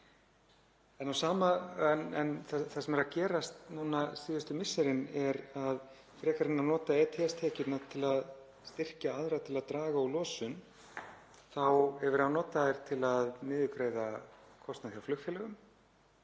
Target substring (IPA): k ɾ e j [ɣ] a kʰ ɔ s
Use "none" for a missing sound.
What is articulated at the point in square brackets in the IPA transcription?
ð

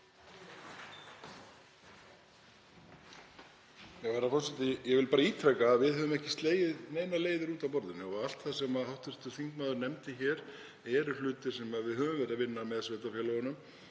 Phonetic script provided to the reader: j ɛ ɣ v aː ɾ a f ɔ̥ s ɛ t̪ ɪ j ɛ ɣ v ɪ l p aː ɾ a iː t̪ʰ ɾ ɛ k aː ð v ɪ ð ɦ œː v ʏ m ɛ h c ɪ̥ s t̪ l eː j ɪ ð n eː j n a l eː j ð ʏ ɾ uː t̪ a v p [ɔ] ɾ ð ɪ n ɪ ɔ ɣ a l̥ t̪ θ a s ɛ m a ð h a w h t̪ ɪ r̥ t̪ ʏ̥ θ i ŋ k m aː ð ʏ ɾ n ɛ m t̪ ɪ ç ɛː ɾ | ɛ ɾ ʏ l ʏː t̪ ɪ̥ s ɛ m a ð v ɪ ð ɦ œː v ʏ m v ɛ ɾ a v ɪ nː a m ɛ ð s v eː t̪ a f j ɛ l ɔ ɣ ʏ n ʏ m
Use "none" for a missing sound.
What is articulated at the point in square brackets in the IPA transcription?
ɔ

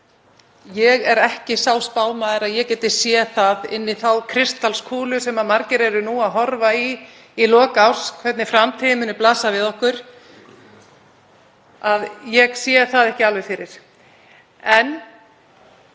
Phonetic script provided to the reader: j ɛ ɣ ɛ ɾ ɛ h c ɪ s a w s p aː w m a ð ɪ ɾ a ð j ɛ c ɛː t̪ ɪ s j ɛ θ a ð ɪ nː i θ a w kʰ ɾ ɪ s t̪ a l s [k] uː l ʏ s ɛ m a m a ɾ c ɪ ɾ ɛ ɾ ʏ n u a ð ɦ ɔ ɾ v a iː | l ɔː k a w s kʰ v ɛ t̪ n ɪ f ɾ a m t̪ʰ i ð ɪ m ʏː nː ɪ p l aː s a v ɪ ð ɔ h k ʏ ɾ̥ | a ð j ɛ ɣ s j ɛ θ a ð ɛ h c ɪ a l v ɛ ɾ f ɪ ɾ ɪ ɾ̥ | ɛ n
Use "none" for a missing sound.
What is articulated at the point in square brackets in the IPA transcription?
kʰ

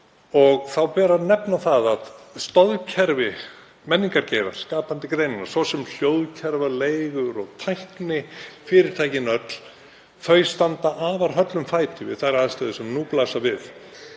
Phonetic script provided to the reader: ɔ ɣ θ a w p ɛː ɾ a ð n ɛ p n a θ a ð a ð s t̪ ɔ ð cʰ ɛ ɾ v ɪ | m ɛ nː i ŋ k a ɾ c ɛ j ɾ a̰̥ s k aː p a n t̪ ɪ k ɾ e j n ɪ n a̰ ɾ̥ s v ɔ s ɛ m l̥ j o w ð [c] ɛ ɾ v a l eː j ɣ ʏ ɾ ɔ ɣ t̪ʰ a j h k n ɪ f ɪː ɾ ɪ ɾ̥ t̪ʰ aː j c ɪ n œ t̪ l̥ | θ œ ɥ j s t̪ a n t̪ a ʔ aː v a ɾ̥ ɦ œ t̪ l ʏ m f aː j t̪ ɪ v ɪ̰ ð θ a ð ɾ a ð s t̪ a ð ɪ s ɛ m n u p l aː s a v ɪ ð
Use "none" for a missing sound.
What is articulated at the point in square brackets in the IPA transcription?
cʰ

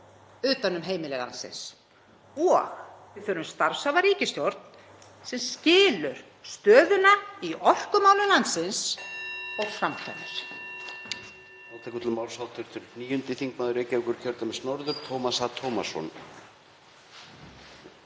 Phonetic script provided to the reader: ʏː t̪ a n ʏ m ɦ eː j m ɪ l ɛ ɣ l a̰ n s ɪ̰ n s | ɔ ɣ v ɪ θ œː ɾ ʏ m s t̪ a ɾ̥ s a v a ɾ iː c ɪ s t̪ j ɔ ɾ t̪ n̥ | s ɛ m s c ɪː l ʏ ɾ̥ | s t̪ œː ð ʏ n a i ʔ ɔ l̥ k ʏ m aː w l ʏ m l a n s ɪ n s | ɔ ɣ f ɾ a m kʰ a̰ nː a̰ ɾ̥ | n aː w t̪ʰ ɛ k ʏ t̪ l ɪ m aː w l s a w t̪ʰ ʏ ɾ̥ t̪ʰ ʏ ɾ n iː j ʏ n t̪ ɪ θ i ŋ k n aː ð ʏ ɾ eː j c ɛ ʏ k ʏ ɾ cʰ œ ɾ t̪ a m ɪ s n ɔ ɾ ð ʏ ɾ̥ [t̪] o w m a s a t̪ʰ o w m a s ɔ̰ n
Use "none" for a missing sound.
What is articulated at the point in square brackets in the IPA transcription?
t̪ʰ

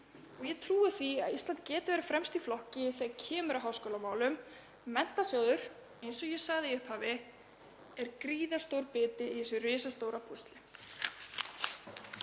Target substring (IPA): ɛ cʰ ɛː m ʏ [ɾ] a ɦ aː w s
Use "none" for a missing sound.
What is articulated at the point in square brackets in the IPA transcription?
ɾ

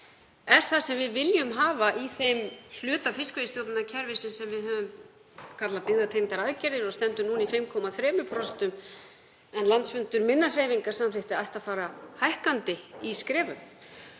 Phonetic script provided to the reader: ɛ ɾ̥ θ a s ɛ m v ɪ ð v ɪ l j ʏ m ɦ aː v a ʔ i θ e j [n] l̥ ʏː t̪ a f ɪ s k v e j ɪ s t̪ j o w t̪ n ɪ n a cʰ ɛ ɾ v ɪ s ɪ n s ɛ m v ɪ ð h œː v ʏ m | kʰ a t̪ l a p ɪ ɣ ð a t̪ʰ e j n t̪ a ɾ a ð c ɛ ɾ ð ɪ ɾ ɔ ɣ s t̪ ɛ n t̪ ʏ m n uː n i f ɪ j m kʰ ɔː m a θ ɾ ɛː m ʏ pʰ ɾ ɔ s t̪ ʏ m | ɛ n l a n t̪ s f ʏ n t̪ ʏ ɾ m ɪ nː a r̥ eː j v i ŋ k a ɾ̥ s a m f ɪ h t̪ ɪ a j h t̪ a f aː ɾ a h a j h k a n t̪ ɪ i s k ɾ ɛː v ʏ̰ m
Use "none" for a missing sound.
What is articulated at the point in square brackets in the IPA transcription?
m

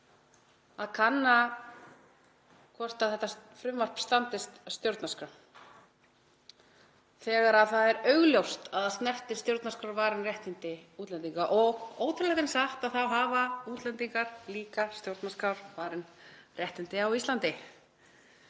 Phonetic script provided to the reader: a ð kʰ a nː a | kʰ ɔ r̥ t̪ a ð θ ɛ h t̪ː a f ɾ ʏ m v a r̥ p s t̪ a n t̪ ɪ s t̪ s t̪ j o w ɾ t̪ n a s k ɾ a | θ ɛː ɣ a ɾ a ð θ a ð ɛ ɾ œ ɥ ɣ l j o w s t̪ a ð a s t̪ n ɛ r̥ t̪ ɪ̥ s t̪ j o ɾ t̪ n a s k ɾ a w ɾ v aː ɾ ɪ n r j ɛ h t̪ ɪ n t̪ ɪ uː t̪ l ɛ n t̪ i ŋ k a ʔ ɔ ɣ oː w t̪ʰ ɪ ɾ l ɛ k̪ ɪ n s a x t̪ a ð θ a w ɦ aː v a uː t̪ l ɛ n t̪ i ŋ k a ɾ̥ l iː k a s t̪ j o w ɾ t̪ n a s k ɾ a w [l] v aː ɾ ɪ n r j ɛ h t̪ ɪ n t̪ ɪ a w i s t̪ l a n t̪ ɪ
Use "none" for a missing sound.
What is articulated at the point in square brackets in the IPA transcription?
ɾ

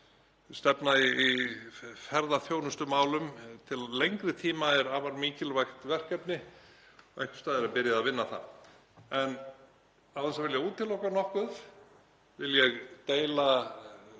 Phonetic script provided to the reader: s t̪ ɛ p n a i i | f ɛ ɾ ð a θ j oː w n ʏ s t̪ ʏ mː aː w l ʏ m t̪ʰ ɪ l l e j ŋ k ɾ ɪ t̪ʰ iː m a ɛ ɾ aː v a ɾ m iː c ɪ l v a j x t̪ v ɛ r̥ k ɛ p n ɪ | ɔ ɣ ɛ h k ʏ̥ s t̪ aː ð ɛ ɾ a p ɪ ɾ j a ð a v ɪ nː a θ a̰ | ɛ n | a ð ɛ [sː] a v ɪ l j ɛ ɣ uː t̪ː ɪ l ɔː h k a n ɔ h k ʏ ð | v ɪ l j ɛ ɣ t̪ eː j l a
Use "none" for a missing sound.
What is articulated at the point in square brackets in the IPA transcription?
s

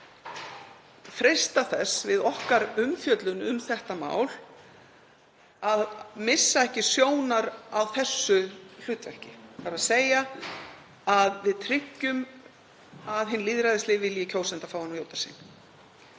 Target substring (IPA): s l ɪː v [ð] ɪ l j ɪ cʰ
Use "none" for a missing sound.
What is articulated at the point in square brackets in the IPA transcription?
v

